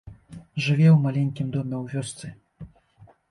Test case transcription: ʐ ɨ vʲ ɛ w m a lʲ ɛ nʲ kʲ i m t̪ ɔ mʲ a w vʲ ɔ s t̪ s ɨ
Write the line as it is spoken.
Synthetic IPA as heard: ʐ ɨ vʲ ɛ w m a lʲ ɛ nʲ kʲ i m d̪ ɔ mʲ ɛ w vʲ ɔ s t̪ s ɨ